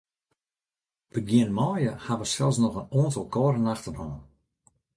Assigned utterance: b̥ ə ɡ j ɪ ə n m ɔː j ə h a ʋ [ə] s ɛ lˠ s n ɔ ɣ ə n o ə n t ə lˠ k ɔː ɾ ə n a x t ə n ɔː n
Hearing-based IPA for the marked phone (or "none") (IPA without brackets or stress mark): ə